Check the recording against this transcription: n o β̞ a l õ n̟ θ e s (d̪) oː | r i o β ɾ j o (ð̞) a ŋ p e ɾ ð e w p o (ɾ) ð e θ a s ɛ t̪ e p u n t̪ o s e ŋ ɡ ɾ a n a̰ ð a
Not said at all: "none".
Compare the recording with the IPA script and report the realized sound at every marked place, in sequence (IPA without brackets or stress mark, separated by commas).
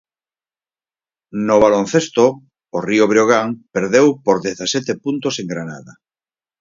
t̪, ɣ̞, ɾ